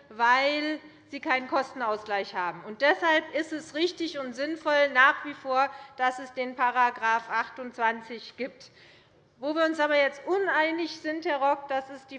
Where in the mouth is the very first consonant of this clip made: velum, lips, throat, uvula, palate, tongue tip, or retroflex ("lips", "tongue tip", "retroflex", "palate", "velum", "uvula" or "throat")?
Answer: lips